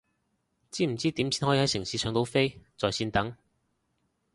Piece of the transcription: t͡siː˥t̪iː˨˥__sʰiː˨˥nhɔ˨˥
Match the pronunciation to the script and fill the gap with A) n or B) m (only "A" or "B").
B